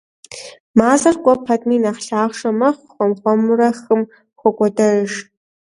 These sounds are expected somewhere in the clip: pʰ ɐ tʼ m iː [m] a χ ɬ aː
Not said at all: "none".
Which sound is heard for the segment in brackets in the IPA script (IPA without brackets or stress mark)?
n